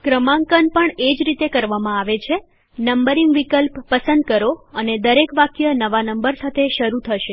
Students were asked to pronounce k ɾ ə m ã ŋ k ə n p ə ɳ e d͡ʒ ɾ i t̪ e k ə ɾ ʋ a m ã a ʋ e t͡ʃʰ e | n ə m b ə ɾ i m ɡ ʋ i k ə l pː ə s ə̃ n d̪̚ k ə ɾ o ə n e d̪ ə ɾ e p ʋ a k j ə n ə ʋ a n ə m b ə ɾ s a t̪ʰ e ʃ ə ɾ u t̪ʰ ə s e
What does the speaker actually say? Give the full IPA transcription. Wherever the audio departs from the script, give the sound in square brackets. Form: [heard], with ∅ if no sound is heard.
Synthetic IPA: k ɾ ə m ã ŋ k ə n p ə ɳ e d͡ʒ ɾ i t̪ e k ə ɾ ʋ a m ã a ʋ e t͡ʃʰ e | n ə m b ə ɾ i [ŋ] ɡ ʋ i k ə l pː ə s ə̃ n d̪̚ k ə ɾ o ə n e d̪ ə ɾ e [k] ʋ a k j ə n ə ʋ a n ə m b ə ɾ s a t̪ʰ e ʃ ə ɾ u t̪ʰ ə [ʃ] e